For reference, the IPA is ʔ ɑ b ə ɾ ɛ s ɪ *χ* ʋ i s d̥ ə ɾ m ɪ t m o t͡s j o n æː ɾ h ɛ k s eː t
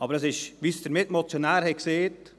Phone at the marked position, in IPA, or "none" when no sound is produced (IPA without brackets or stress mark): ʃ